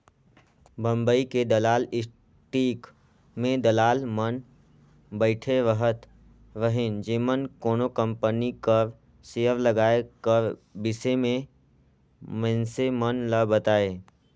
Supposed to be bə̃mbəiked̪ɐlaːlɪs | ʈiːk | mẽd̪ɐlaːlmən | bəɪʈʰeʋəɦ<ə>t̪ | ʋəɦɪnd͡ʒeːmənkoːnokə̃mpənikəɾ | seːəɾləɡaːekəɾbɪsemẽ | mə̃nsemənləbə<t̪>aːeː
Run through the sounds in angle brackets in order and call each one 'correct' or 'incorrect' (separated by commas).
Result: correct, correct